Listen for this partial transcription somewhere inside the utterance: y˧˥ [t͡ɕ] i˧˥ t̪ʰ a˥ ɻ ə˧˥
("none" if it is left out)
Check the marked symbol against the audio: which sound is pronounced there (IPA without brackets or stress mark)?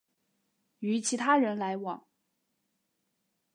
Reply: t͡ɕʰ